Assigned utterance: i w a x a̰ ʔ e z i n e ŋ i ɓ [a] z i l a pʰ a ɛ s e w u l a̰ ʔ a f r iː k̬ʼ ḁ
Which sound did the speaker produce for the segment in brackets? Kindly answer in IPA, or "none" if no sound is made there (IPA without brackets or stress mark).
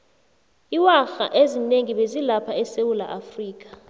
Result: e